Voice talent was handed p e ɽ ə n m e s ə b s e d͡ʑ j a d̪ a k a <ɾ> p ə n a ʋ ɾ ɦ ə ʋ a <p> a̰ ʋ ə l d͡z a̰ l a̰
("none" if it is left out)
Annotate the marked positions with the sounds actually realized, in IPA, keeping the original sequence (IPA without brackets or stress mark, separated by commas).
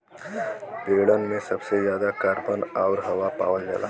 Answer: ɾ, p